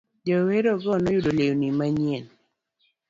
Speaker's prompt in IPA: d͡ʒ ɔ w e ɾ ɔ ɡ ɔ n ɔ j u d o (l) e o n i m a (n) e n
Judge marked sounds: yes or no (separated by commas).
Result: yes, no